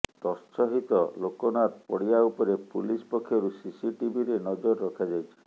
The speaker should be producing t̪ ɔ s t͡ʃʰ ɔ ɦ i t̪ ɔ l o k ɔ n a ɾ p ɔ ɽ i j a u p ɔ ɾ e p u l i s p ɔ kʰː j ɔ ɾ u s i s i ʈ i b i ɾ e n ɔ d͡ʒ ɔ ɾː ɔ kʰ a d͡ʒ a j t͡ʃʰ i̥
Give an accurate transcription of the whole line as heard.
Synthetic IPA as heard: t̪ ɔ s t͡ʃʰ ɔ ɦ i t̪ ɔ l o k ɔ n a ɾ p ɔ ɽ i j a u p ɔ ɾ e p u l i s p ɔ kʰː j ɔ ɾ u s i s i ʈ i b i ɾ e n ɔ d͡ʒ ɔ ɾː ɔ kʰ a d͡ʒ a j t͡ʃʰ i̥